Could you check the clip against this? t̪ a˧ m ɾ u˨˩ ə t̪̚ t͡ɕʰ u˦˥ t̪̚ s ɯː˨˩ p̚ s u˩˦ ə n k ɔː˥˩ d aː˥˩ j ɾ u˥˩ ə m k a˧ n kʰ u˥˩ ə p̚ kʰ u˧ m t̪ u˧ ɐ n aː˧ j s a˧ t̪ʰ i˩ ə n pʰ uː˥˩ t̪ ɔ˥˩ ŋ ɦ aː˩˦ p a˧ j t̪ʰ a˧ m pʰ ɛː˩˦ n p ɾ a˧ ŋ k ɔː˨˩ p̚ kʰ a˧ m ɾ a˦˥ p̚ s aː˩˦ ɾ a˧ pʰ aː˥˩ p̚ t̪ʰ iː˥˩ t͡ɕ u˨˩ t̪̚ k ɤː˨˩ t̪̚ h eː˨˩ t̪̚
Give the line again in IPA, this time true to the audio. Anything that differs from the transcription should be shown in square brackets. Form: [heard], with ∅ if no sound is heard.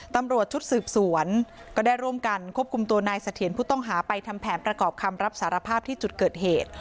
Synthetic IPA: t̪ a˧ m ɾ u˨˩ ə t̪̚ t͡ɕʰ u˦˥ t̪̚ s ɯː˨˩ p̚ s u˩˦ ə n k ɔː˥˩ d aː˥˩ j ɾ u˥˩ ə m k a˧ n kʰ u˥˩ ə p̚ kʰ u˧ m t̪ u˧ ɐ n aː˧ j s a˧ t̪ʰ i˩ ə n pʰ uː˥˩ t̪ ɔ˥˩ ŋ ɦ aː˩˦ p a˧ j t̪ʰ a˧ m pʰ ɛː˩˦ n p ɾ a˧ [∅] k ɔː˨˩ p̚ kʰ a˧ m ɾ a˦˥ p̚ s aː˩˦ ɾ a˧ pʰ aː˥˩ p̚ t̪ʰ iː˥˩ t͡ɕ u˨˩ t̪̚ k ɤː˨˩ t̪̚ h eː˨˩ t̪̚